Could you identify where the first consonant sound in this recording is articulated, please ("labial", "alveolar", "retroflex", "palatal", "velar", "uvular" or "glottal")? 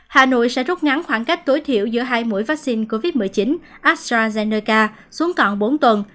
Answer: glottal